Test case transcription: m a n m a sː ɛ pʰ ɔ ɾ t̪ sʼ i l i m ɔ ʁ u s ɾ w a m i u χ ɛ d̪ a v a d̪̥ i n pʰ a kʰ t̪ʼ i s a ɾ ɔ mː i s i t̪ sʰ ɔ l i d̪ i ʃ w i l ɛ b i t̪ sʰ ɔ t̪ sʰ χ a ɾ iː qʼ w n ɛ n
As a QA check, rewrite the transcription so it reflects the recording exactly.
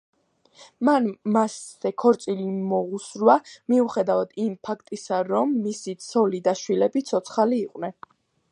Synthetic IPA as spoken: m a n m a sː ɛ kʰ ɔ ɾ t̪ sʼ i l i m ɔ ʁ u s ɾ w a m i u χ ɛ d̪ a v a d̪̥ i m pʰ a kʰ t̪ʼ i s a ɾ ɔ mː i s i t̪ sʰ ɔ l i d̪ a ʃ w i l ɛ b i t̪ sʰ ɔ t̪ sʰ χ a l iː qʼ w n ɛ n

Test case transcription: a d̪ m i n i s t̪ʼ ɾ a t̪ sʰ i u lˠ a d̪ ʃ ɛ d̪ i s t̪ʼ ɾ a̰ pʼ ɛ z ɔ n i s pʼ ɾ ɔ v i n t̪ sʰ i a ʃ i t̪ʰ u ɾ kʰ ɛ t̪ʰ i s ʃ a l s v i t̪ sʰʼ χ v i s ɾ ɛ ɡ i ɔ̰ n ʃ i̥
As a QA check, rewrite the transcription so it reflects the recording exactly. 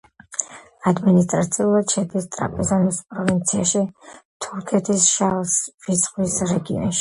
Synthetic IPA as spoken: a d̪ m i n i s t̪ʼ ɾ a t̪ sʰ i u lˠ a d̪ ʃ ɛ d̪ i s t̪ʼ ɾ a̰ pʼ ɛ z ɔ n i s pʼ ɾ ɔ v i n t̪ sʰ i a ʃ i t̪ʰ u ɾ kʰ ɛ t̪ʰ i s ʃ a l s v i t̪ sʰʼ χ w i s ɾ ɛ ɡ i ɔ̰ n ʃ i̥

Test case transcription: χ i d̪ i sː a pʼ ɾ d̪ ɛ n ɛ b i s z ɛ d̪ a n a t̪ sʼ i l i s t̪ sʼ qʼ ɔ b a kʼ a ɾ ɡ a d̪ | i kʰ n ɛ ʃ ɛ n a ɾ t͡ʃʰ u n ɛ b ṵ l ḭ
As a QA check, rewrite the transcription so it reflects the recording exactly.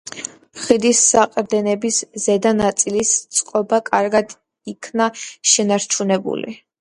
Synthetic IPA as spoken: χ i d̪ i sː a qʼ ɾ d̪ ɛ n ɛ b i s z ɛ d̪ a n a t̪ sʼ i l i s t̪ sʼ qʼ ɔ b a kʼ a ɾ ɡ a d̪ | i kʰ n a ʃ ɛ n a ɾ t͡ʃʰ u n ɛ b ṵ l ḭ

